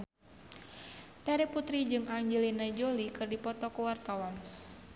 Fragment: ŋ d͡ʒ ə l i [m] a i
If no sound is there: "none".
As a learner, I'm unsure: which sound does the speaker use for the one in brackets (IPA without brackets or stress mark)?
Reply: n